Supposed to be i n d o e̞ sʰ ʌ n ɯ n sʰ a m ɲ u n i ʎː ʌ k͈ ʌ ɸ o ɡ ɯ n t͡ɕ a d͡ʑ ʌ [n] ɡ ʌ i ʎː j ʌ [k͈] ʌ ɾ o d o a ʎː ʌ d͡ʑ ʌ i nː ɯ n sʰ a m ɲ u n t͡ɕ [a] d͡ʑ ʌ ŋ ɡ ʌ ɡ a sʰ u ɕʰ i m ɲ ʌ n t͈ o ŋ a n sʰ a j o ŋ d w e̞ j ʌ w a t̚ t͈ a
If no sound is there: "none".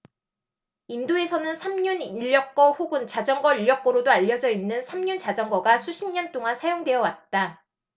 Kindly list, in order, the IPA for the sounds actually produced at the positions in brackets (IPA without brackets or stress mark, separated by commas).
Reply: ŋ, k͈, a